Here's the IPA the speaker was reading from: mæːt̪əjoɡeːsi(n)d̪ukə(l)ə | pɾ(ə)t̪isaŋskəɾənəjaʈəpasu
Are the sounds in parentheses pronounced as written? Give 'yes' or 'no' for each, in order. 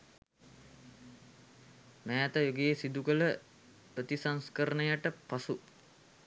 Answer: no, yes, yes

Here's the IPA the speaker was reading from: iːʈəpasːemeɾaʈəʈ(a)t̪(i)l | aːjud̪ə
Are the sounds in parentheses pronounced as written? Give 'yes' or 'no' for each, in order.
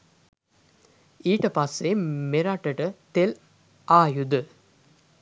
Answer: no, no

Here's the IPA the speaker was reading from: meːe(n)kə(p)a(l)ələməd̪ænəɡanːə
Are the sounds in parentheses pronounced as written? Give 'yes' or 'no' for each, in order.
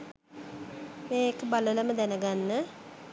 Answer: no, no, yes

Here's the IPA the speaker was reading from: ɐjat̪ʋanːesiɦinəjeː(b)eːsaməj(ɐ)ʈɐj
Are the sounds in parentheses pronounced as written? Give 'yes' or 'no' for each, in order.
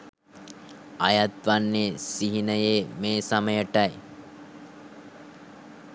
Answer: no, no

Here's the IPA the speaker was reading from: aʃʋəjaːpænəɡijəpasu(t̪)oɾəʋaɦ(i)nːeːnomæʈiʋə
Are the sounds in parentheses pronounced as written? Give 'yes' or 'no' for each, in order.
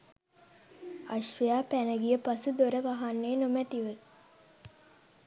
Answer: no, no

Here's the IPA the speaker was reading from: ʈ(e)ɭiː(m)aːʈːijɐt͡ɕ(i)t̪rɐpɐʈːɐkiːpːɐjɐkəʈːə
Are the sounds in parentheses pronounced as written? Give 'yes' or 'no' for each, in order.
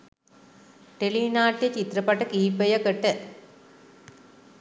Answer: yes, no, yes

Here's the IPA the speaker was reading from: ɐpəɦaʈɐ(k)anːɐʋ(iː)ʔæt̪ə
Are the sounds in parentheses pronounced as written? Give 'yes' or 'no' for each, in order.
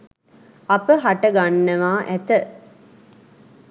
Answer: no, no

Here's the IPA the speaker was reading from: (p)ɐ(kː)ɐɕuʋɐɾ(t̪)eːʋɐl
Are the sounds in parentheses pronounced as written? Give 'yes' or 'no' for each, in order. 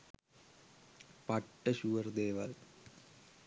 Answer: yes, no, no

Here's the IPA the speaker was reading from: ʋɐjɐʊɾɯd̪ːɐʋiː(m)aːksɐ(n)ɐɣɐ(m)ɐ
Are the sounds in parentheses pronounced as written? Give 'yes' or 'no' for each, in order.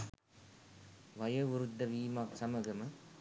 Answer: yes, no, yes

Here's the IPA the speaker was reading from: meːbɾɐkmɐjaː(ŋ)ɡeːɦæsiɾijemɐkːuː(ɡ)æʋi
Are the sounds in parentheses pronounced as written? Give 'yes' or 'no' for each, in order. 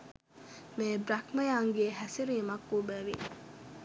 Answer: yes, no

